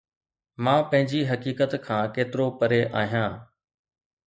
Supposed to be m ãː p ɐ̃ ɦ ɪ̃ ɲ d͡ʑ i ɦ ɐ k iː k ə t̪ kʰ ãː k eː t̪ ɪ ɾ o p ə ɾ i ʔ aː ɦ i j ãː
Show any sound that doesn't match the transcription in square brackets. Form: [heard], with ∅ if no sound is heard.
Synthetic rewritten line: m ãː p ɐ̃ ɦ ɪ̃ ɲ d͡ʑ i ɦ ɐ k iː k ə t̪ kʰ ãː k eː t̪ ɪ ɾ o p ə ɾ [e] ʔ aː ɦ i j ãː